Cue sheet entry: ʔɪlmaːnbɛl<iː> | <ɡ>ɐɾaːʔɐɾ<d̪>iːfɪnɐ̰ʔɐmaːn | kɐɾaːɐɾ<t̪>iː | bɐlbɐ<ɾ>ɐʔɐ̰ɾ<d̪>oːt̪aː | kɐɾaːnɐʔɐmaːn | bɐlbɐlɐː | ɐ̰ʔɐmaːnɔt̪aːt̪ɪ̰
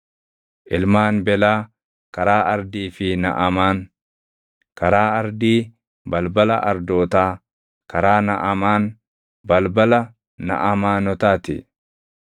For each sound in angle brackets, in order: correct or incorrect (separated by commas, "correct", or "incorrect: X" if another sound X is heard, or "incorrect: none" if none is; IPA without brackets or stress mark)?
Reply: incorrect: aː, incorrect: k, correct, incorrect: d̪, incorrect: l, correct